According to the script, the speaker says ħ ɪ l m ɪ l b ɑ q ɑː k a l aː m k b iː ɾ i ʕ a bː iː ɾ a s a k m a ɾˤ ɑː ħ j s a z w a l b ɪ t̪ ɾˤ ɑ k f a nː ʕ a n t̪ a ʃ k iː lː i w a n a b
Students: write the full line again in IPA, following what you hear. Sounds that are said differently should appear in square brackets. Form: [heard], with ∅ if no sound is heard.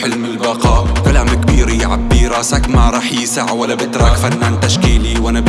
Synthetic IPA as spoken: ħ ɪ l m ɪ l b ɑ q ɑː k a l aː m k b iː ɾ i ʕ a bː iː ɾ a s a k m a ɾˤ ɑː ħ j s a [ʕ] w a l b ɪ t̪ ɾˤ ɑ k f a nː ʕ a n t̪ a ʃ k iː [l] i w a n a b